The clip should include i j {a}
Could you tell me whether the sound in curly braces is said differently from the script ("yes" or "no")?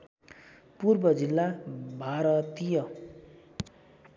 yes